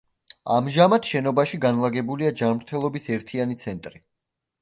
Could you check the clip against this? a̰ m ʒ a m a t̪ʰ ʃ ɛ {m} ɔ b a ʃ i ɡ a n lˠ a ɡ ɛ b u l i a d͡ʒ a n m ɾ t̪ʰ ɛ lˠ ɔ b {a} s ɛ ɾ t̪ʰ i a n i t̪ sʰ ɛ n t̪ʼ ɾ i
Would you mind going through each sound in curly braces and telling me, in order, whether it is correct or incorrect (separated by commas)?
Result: incorrect, incorrect